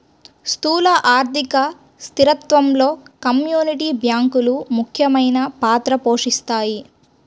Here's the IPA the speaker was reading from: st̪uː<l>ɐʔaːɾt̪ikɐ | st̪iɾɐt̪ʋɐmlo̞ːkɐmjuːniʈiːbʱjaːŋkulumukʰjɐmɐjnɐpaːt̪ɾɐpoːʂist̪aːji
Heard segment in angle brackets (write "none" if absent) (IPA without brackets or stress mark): l